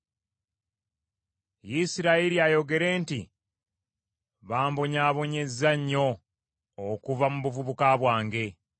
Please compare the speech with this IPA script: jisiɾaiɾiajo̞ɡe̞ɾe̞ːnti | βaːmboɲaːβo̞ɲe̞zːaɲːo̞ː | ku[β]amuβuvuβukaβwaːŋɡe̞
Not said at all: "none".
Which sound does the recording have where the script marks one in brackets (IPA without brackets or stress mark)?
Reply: v